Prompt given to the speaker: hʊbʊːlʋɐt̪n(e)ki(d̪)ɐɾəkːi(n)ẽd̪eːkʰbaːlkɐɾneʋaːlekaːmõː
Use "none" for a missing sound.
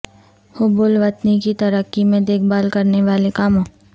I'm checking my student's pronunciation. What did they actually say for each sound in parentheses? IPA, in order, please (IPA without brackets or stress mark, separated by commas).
i, t̪, m